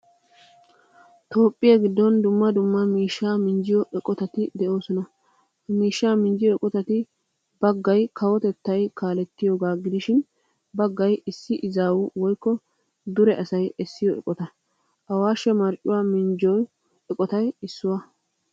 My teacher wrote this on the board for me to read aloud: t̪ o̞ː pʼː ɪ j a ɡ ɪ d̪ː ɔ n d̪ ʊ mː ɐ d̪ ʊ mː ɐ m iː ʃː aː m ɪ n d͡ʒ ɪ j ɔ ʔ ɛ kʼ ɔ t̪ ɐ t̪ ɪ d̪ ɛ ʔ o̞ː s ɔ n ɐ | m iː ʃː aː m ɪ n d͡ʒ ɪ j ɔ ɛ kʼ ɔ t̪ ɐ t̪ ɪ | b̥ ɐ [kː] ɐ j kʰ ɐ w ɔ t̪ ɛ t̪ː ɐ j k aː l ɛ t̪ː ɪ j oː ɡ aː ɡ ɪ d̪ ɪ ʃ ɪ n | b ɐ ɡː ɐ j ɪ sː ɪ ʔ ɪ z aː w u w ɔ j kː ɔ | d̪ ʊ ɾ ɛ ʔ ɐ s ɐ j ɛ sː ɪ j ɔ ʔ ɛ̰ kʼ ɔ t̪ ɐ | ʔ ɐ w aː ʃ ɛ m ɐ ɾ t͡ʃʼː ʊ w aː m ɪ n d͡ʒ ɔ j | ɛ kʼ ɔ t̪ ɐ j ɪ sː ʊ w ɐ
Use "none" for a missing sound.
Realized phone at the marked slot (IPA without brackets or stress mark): ɡː